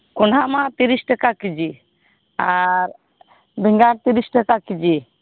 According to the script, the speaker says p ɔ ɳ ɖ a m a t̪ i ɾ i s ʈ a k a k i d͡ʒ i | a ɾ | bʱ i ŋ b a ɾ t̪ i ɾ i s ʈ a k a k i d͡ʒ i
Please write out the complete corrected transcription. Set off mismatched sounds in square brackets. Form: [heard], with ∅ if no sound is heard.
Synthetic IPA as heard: [k] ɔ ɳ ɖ a m a t̪ i ɾ i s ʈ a k a k i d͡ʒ i | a ɾ | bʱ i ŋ [ɡ] a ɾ t̪ i ɾ i s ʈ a k a k i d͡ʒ i